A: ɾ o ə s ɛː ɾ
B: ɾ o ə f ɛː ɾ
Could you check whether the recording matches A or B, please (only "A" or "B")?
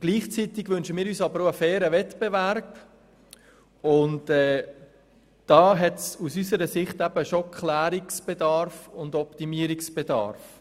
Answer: B